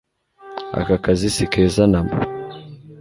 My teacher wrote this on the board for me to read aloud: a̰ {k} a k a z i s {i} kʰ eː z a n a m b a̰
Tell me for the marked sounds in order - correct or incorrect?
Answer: correct, correct

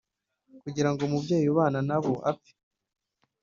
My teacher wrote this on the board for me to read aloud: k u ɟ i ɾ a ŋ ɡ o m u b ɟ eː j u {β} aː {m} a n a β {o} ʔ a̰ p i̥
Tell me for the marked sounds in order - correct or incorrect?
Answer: correct, incorrect, correct

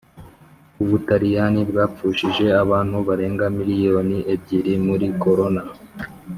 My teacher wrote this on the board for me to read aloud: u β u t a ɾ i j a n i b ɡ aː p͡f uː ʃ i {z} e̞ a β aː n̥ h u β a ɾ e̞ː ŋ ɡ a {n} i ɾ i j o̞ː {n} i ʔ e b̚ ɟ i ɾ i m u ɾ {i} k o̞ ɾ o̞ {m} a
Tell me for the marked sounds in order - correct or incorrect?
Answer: incorrect, incorrect, correct, correct, incorrect

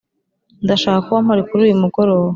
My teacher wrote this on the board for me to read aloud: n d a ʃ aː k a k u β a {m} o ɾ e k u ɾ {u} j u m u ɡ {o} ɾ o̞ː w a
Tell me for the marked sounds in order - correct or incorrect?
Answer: correct, incorrect, correct

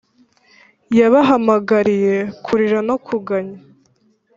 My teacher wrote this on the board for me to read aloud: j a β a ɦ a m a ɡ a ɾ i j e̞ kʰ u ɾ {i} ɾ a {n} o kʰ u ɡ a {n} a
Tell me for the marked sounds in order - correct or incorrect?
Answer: correct, correct, incorrect

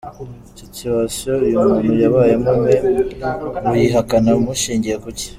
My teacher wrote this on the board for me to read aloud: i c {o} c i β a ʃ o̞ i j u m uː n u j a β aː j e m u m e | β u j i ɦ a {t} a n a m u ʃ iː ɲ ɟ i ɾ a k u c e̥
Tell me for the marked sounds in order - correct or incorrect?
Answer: correct, incorrect

